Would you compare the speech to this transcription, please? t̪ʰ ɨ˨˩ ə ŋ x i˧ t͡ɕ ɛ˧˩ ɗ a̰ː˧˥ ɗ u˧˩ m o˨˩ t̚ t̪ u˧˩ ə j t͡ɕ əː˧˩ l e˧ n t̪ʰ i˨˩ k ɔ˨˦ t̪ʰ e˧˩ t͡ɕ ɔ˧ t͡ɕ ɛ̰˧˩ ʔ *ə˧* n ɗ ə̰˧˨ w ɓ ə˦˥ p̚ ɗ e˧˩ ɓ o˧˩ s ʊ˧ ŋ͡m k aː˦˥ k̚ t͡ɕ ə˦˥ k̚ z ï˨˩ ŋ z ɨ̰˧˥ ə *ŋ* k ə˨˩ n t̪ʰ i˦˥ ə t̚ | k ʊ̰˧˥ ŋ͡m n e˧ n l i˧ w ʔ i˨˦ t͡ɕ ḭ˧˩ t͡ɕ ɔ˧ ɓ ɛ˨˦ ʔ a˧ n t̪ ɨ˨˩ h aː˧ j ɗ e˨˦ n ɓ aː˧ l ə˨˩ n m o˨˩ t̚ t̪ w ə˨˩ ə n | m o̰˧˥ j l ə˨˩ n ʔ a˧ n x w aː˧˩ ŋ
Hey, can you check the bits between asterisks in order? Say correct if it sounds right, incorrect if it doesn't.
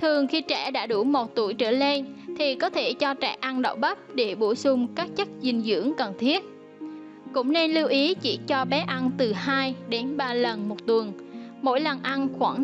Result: incorrect: a˧, correct

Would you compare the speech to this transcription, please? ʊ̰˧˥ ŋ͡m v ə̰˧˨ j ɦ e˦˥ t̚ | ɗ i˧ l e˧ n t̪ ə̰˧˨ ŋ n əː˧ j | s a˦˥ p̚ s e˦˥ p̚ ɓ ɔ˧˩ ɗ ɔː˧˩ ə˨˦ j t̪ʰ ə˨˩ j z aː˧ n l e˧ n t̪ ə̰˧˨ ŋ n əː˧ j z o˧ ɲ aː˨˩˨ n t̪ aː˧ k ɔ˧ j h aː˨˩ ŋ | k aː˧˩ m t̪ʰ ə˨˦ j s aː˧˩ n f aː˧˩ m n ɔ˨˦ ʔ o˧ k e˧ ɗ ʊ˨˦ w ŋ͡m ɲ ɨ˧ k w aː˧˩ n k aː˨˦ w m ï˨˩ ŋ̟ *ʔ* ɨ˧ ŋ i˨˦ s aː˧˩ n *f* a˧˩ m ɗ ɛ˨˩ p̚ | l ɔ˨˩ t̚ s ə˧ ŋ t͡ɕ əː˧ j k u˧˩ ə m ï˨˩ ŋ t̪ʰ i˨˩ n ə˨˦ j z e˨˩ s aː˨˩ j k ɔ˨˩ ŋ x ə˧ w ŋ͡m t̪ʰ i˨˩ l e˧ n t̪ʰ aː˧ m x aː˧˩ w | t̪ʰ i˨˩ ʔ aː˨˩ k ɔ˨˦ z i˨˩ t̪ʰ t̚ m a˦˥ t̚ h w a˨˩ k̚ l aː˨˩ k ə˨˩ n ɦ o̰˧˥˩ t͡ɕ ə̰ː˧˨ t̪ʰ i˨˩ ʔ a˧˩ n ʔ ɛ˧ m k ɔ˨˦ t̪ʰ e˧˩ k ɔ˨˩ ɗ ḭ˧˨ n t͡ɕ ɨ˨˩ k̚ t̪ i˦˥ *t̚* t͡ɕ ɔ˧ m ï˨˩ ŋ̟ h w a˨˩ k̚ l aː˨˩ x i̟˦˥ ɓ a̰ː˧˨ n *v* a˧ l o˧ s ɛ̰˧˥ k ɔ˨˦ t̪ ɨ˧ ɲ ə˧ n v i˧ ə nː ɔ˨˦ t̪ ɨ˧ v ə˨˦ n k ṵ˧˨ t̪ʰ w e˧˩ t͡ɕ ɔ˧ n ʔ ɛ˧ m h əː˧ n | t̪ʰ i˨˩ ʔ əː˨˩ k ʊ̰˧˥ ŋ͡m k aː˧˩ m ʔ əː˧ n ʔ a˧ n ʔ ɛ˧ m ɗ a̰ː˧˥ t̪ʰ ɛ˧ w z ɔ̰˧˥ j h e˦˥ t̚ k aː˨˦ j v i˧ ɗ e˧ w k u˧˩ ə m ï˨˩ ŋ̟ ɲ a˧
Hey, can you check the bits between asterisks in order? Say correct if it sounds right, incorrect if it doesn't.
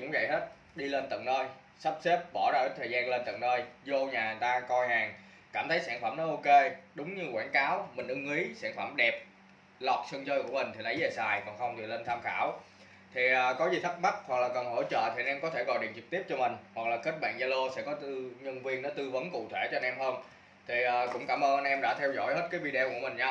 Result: correct, correct, incorrect: p̚, incorrect: z

